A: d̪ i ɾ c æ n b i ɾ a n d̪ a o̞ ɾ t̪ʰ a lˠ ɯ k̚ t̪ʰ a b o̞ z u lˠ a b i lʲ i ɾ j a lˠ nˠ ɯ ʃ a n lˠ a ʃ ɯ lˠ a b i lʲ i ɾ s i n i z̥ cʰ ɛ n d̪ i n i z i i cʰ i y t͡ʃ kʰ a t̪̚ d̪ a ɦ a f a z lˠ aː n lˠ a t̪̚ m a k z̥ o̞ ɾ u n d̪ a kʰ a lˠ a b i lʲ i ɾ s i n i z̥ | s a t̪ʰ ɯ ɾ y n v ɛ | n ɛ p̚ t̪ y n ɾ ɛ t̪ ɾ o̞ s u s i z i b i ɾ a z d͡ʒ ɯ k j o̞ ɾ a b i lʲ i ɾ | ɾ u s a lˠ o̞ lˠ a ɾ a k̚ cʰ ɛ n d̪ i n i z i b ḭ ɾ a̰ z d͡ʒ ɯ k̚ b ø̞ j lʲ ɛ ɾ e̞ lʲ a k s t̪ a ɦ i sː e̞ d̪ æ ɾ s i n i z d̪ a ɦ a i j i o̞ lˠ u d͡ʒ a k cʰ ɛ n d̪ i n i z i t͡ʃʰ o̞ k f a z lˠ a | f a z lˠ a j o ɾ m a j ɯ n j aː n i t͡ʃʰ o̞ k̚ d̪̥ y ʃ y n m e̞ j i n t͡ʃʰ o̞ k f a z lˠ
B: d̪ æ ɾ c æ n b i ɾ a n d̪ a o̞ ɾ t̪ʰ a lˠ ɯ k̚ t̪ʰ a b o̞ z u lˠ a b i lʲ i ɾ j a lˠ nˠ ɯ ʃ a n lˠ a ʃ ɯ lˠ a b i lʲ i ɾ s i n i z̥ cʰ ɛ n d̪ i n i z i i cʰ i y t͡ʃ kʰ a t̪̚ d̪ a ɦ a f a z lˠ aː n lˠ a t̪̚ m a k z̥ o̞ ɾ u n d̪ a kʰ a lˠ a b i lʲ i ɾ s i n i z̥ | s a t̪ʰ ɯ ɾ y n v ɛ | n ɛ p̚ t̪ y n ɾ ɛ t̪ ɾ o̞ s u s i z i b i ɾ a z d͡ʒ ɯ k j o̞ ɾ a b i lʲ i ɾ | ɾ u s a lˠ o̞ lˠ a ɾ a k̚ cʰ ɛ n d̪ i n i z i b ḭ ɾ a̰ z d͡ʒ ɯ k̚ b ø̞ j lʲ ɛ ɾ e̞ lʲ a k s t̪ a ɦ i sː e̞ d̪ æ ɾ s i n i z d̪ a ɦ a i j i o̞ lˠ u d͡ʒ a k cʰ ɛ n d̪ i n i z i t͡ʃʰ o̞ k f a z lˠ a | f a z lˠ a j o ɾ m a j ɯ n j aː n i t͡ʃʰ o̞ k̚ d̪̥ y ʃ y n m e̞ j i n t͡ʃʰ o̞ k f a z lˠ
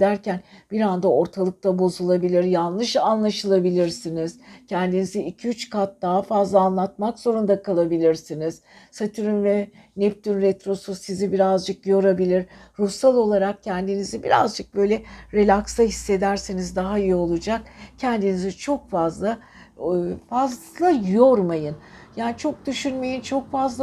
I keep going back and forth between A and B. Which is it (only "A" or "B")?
B